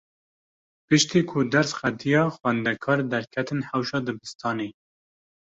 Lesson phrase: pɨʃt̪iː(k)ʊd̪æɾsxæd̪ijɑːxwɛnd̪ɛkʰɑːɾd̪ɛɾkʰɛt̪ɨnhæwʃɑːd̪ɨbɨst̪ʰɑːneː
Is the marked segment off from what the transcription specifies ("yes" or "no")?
yes